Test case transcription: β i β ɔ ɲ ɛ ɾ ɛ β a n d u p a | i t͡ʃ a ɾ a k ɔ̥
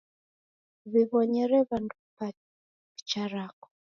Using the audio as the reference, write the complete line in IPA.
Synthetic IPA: β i β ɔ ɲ ɛ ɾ ɛ β a n d u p a | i t͡ʃ a ɾ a k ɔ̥